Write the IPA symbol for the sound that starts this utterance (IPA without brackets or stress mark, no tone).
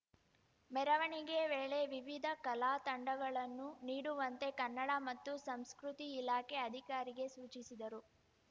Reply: m